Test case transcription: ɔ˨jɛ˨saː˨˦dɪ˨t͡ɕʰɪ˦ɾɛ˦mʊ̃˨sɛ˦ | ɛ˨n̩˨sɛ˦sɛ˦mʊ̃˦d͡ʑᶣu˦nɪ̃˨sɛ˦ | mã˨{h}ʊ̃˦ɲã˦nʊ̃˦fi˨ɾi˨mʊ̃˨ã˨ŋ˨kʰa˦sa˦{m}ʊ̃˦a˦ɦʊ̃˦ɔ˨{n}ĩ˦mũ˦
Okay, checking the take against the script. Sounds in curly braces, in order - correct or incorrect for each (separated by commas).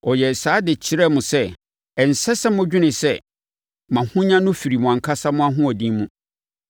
correct, correct, incorrect